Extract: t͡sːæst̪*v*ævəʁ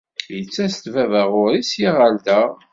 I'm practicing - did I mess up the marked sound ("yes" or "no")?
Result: no